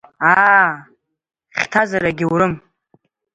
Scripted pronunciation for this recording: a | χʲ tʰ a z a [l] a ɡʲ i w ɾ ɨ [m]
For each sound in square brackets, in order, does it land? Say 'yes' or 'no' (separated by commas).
no, yes